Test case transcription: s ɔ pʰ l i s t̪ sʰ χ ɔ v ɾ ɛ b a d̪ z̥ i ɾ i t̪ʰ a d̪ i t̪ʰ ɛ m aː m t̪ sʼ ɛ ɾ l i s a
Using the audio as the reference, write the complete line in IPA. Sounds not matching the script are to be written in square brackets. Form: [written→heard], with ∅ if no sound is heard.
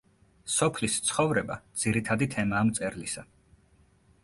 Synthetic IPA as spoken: s ɔ pʰ l i s t̪ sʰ χ ɔ v ɾ ɛ b a d̪ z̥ i ɾ i t̪ʰ a d̪ i t̪ʰ ɛ m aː m t̪ sʼ ɛ ɾ l i s a